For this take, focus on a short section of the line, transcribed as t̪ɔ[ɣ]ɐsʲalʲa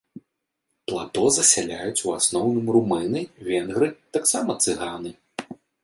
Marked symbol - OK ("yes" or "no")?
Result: no